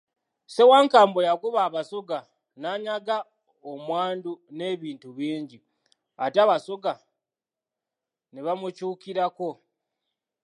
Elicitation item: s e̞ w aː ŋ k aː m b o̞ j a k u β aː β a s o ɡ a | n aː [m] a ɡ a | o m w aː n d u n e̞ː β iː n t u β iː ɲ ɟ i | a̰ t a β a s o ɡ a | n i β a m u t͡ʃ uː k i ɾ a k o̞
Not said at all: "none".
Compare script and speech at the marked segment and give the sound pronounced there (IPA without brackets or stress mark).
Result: ɲ